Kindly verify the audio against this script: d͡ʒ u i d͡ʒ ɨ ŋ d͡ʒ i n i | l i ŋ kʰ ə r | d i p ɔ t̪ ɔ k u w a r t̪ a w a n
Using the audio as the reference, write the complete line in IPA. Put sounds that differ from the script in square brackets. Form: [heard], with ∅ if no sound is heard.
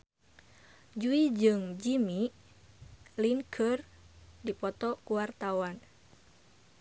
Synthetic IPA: d͡ʒ u i d͡ʒ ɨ ŋ d͡ʒ i [m] i | l i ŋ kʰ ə r | d i p ɔ t̪ ɔ k u w a r t̪ a w a n